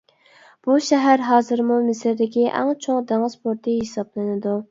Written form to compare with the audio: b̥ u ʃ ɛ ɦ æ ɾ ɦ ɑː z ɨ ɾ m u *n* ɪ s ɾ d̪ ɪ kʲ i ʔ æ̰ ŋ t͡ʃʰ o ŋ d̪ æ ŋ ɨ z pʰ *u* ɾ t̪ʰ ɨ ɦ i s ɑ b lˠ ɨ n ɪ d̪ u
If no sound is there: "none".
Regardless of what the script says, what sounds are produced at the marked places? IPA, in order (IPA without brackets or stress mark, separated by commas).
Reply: m, o